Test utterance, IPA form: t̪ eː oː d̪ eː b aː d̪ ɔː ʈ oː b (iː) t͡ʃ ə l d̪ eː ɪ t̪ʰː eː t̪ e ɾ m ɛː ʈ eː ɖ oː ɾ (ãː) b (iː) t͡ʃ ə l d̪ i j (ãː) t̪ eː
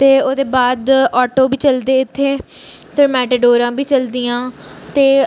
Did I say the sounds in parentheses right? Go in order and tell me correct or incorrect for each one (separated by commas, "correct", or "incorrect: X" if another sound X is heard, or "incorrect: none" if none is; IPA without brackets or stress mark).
correct, correct, correct, correct